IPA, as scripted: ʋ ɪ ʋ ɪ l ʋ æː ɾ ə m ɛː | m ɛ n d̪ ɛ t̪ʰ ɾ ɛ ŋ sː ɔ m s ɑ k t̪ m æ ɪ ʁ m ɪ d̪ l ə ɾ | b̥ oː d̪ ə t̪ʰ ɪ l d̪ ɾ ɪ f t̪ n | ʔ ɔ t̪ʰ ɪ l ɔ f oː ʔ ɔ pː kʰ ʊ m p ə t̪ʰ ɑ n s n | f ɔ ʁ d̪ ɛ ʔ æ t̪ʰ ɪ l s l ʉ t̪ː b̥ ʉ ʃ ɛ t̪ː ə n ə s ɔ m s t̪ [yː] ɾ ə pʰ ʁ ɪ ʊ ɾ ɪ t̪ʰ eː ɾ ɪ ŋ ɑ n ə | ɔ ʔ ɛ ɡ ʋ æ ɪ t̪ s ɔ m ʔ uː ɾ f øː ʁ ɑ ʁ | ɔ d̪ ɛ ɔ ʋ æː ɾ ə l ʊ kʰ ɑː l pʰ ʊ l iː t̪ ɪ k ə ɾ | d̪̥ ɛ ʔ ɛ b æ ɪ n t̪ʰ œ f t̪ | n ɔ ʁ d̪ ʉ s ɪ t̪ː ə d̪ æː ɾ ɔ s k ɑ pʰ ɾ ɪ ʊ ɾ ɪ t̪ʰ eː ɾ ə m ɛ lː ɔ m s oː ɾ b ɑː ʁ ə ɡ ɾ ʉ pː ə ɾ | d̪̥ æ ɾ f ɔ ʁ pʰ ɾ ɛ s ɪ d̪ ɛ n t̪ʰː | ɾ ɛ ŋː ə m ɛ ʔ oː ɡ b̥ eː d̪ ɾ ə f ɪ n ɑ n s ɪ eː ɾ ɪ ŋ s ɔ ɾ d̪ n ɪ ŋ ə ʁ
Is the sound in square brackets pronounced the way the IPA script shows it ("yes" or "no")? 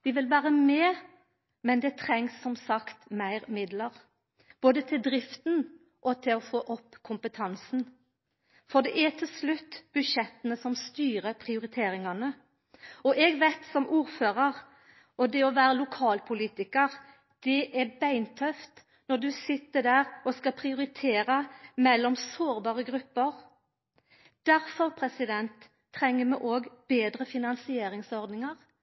yes